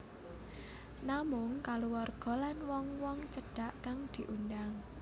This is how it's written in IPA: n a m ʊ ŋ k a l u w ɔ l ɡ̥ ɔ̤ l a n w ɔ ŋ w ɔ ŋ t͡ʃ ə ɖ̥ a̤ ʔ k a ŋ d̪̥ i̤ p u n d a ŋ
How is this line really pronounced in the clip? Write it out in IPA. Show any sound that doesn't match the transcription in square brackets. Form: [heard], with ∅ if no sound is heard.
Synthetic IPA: n a m ʊ ŋ k a l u w ɔ [r] ɡ̥ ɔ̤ l a n w ɔ ŋ w ɔ ŋ t͡ʃ ə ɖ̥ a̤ ʔ k a ŋ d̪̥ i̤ [ʔ] u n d a ŋ

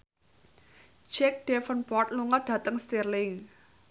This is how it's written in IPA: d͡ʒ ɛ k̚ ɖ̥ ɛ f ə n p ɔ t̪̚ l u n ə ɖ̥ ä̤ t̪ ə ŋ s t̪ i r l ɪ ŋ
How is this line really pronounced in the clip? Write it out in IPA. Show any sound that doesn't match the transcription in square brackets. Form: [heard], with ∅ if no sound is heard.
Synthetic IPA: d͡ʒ ɛ k̚ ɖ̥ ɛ f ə n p ɔ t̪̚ l u [ŋ] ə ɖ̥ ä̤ t̪ ə ŋ s t̪ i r l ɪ ŋ

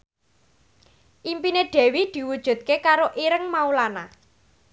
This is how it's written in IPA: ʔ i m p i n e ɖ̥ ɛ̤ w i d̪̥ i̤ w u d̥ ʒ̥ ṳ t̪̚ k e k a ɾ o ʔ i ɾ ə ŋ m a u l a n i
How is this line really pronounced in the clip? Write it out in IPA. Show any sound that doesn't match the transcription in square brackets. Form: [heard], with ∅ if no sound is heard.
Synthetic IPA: ʔ i m p i n e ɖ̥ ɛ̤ w i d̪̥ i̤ w u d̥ ʒ̥ ṳ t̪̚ k e k a ɾ o ʔ i ɾ ə ŋ m a u l a n [a]

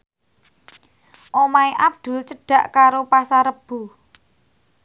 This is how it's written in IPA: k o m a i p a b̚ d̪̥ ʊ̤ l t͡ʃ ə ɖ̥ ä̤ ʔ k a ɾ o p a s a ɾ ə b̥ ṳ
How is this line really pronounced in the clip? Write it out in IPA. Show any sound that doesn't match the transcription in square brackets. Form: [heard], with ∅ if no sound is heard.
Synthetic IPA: [ʔ] o m a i [ʔ] a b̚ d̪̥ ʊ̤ l t͡ʃ ə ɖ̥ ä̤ ʔ k a ɾ o p a s a ɾ ə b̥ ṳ

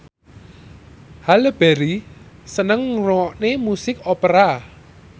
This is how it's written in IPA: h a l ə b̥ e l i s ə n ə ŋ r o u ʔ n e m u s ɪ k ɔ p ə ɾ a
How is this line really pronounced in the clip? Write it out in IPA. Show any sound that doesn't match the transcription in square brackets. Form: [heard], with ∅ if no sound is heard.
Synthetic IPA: h a l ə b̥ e [ɾ] i s ə n ə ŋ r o [ɔ] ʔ n e m u s ɪ k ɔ p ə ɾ a

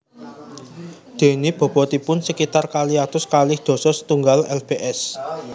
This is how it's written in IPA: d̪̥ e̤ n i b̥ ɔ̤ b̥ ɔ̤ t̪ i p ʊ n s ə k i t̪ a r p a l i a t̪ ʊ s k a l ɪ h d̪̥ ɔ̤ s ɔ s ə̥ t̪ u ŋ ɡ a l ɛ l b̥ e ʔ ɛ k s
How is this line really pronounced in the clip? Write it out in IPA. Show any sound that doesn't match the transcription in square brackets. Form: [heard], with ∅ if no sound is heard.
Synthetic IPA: d̪̥ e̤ n i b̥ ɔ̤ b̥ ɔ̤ t̪ i p ʊ n s ə k i t̪ a r [k] a l i a t̪ ʊ s k a l ɪ h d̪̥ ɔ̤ s ɔ s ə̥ t̪ u ŋ ɡ a l ɛ l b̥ e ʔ ɛ [∅] s

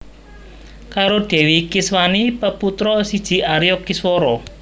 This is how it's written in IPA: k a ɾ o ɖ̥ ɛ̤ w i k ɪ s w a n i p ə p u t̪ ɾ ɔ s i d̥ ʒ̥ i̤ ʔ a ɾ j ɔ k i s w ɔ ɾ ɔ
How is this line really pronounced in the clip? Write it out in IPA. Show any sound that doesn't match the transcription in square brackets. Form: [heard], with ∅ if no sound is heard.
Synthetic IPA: k a ɾ o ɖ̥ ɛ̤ w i k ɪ s w a n i p ə p u t̪ ɾ ɔ s i d̥ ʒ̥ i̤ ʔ a ɾ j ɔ k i s w ɔ ɾ ɔ

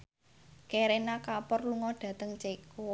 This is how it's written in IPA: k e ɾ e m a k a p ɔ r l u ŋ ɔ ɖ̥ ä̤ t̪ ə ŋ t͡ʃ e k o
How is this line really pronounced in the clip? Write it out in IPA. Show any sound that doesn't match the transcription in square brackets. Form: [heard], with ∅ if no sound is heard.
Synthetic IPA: k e ɾ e [n] a k a p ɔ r l u ŋ ɔ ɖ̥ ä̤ t̪ ə ŋ t͡ʃ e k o

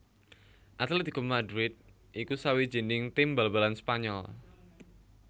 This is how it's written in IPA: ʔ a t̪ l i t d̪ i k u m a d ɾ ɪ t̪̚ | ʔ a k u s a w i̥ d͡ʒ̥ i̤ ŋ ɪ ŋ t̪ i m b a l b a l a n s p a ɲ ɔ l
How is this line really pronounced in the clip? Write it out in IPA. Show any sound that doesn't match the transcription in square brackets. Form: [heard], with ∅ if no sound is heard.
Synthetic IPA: ʔ a t̪ l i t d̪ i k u m a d ɾ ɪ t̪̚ | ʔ [i] k u s a w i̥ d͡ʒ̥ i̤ [n] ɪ ŋ t̪ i m b a l b a l a n s p a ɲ ɔ l

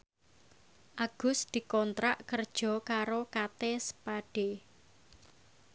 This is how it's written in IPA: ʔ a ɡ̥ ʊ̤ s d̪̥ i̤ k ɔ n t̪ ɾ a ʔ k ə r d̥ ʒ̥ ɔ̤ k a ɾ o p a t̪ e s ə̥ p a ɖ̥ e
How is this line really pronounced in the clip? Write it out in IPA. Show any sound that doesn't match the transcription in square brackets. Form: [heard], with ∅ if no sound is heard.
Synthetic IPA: ʔ a ɡ̥ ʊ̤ s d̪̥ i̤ k ɔ n t̪ ɾ a ʔ k ə r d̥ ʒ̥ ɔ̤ k a ɾ o [k] a t̪ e s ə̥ p a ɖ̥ e

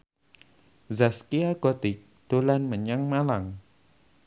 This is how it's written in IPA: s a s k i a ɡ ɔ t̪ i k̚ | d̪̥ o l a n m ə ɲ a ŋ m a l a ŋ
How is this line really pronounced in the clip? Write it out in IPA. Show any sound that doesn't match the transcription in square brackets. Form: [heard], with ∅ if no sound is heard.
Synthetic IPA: [z] a s k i a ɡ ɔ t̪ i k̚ | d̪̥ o l a n m ə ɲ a ŋ m a l a ŋ

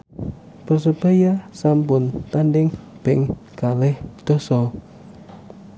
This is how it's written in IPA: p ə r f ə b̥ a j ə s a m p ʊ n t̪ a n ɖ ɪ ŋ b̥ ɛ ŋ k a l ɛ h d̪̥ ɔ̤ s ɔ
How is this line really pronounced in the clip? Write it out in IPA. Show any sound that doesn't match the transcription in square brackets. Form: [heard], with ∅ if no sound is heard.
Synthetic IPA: p ə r [s] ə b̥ a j [a] s a m p ʊ n t̪ a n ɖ ɪ ŋ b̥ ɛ ŋ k a l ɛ h d̪̥ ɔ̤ s ɔ

